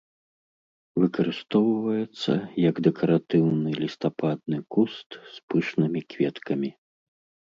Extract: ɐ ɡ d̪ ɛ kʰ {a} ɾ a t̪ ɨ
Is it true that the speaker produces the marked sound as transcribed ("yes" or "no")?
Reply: no